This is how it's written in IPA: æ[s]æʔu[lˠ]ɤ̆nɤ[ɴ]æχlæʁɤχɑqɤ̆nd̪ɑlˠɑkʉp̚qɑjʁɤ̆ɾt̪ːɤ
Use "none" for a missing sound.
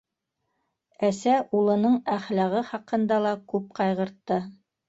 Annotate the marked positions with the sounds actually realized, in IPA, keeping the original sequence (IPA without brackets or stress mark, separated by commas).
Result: s, lˠ, ɴ